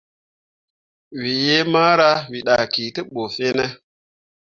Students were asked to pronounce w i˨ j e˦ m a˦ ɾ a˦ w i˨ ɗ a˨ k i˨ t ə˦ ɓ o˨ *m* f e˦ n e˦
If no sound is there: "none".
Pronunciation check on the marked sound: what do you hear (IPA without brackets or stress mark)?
none